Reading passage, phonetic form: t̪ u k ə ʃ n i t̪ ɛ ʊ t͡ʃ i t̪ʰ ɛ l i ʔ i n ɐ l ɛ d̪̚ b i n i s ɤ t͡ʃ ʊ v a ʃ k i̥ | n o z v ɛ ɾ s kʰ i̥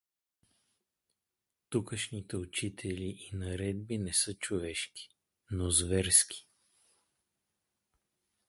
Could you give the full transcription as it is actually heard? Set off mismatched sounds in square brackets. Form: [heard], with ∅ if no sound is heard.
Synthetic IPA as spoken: t̪ u k ə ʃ n i t̪ ɛ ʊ t͡ʃ i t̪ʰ ɛ l i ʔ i n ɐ [ɾ] ɛ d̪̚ b i n [ɛ] s ɤ t͡ʃ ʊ v [ɛ] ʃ k i̥ | n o z v ɛ ɾ s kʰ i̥

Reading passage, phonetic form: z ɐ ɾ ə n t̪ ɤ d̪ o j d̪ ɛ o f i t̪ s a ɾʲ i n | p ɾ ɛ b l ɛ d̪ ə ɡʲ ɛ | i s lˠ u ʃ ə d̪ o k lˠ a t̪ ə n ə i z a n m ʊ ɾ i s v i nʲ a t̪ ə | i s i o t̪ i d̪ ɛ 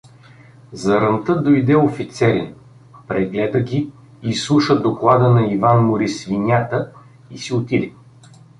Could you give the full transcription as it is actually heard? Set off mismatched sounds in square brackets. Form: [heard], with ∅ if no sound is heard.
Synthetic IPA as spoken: z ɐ ɾ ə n t̪ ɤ d̪ o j d̪ ɛ o f i t̪ s [ɛ] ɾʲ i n | p ɾ ɛ [ɡ] l ɛ d̪ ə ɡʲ [i] | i s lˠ u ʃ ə d̪ o k lˠ a [d̪] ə n [ɐ] i [v] a n m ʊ ɾ i s v i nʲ a t̪ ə | i s i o t̪ i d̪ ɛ

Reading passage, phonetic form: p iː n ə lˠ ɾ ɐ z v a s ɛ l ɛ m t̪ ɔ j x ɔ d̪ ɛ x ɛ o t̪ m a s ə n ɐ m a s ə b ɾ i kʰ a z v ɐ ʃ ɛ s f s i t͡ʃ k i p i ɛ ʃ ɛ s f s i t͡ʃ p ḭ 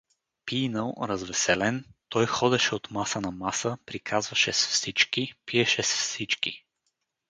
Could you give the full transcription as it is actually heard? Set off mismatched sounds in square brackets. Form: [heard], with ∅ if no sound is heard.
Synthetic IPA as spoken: p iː n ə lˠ ɾ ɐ z v [ɛ] s ɛ l ɛ [n] t̪ ɔ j x ɔ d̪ ɛ [ʃ] ɛ o t̪ m a s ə n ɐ m a s ə [p] ɾ i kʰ a z v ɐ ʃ ɛ s f s i t͡ʃ k i p i ɛ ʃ ɛ s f s i t͡ʃ [k] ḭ

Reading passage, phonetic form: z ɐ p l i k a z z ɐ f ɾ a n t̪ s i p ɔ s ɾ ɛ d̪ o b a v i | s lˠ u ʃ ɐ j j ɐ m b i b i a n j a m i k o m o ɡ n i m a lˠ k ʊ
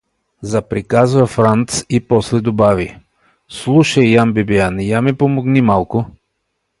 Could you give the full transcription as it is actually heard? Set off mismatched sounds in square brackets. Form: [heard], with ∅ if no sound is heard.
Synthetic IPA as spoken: z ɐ p [ɾ] i k a z [v] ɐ f ɾ a n t̪ s i p ɔ s [l] ɛ d̪ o b a v i | s lˠ u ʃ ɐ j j [a] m b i b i a n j a m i [p] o m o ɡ n i m a lˠ k ʊ

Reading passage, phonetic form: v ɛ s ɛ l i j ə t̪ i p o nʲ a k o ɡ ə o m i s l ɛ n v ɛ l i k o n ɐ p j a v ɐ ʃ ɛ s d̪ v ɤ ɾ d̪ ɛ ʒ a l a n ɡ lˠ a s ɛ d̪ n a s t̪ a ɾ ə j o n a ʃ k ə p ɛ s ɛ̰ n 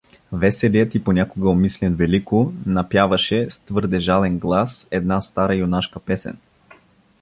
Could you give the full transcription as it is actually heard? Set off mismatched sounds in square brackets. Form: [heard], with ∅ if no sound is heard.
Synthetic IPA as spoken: v ɛ s ɛ l i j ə t̪ i p o nʲ a k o ɡ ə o m i s l ɛ n v ɛ l i k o n ɐ p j a v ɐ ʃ ɛ s [t̪] v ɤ ɾ d̪ ɛ ʒ a l [ɛ] n ɡ lˠ a s ɛ d̪ n a s t̪ a ɾ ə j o n a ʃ k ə p ɛ s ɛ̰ n

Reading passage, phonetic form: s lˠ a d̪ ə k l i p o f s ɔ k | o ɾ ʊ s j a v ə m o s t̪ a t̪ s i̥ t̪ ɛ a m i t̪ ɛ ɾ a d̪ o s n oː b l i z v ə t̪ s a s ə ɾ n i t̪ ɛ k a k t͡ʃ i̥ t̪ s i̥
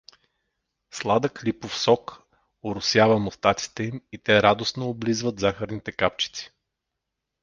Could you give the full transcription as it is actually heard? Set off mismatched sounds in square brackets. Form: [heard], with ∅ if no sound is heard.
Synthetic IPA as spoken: s lˠ a d̪ ə k l i p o f s ɔ k | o ɾ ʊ s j a v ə m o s t̪ a t̪ s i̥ t̪ ɛ [i] m i t̪ ɛ ɾ a d̪ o s n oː b l i z v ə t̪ [z] a [x] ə ɾ n i t̪ ɛ k a [p] t͡ʃ i̥ t̪ s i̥

